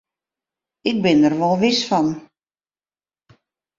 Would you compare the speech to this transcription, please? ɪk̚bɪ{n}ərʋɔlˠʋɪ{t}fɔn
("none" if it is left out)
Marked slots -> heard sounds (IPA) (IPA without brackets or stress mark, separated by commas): n, s